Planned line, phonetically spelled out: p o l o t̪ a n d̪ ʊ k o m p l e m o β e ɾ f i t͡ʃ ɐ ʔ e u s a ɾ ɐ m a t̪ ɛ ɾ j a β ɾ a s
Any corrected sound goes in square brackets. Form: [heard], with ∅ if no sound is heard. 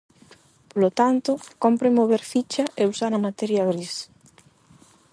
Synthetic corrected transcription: p o l o t̪ a n [t̪] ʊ k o m p [ɾ] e m o β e ɾ f i t͡ʃ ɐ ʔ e u s a ɾ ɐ m a t̪ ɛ ɾ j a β ɾ [i] s